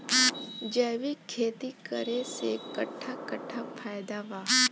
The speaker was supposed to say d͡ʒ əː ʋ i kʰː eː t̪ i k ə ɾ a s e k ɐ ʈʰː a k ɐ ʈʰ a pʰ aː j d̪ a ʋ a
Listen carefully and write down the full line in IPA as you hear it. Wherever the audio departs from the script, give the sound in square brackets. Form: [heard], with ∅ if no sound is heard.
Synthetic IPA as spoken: d͡ʒ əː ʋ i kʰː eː t̪ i k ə ɾ [e] s e k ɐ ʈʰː a k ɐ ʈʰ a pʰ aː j d̪ a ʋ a

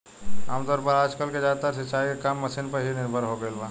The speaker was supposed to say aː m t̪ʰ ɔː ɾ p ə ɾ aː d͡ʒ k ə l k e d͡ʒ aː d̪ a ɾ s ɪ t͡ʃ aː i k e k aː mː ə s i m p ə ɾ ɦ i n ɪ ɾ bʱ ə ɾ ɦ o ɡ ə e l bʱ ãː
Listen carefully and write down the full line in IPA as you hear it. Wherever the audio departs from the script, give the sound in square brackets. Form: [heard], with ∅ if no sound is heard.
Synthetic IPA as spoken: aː m [t̪] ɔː ɾ p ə ɾ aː d͡ʒ k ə l k e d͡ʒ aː [t̪] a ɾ s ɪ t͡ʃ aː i k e k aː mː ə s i [n] p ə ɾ ɦ i n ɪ ɾ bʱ ə ɾ ɦ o ɡ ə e l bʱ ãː

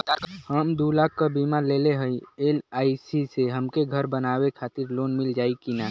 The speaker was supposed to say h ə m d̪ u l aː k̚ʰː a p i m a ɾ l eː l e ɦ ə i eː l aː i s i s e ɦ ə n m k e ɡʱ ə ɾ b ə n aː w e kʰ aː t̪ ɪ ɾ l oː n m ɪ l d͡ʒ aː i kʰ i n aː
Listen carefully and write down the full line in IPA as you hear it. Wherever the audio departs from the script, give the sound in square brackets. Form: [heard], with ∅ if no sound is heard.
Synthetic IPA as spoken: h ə m d̪ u l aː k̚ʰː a [b] i m a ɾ l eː l e ɦ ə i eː l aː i s i s e ɦ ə [∅] m k e ɡʱ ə ɾ b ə n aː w e kʰ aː t̪ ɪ ɾ l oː n m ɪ l d͡ʒ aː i [k] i n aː

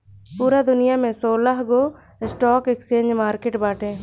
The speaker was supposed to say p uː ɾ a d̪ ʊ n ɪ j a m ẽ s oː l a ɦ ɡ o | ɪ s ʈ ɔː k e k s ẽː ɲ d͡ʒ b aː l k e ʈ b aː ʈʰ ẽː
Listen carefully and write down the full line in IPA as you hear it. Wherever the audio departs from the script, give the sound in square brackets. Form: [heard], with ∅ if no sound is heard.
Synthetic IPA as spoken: p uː ɾ a d̪ ʊ n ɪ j a m ẽ s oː l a ɦ ɡ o | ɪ s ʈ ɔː k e k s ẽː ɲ d͡ʒ [m] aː [ɾ] k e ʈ b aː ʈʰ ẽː

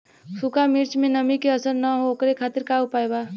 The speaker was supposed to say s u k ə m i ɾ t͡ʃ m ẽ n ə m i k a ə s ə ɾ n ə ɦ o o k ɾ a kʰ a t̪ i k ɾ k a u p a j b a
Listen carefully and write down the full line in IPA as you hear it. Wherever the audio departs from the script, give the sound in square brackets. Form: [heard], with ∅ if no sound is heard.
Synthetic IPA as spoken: s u k [a] m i ɾ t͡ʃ m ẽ n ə m i k [e] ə s ə ɾ n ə ɦ o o k ɾ [e] kʰ a t̪ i [∅] ɾ k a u p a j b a

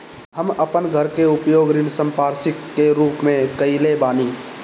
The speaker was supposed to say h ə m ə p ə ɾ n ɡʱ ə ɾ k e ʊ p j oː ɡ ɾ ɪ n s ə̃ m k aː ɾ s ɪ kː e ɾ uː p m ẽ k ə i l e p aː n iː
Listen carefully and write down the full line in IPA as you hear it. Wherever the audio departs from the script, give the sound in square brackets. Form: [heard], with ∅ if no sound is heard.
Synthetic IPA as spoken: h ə m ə p ə [∅] n ɡʱ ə ɾ k e ʊ p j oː ɡ ɾ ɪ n s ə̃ m [p] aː ɾ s ɪ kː e ɾ uː p m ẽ k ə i l e [b] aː n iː

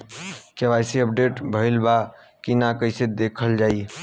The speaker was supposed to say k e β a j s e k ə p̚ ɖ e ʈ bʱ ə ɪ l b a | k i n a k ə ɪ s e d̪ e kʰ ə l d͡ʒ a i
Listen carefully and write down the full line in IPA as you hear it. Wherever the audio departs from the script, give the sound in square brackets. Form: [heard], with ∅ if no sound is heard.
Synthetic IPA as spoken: k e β a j s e [∅] ə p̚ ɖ e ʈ bʱ ə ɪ l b a | k i n a k ə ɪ s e d̪ e kʰ ə l d͡ʒ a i

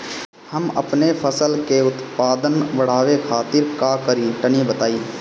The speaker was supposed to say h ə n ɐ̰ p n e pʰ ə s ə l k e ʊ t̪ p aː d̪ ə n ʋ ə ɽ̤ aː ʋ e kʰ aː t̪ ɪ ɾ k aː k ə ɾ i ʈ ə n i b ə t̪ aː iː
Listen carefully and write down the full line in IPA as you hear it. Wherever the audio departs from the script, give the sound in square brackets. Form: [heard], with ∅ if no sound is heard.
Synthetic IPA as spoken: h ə [m] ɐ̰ p n e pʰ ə s ə l k e ʊ t̪ p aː d̪ ə n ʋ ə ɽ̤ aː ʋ e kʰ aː t̪ ɪ ɾ k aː k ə ɾ i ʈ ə n i b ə t̪ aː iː

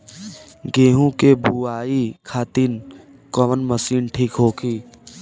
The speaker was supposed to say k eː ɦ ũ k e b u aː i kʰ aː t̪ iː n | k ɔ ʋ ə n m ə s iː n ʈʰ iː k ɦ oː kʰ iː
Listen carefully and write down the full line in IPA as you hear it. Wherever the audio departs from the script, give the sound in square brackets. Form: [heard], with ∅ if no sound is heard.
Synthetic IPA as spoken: [ɡ] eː ɦ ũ k e b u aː i kʰ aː t̪ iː n | k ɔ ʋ ə n m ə s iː n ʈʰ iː k ɦ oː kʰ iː

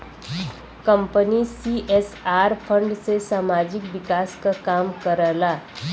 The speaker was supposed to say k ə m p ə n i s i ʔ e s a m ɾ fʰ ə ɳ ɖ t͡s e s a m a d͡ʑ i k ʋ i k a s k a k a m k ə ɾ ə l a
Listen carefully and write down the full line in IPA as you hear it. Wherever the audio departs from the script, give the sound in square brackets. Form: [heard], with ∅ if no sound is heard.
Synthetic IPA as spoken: k ə m p ə n i s i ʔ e s a [∅] ɾ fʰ ə ɳ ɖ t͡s e s a m a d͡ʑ i k ʋ i k a s k a k a m k ə ɾ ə l a

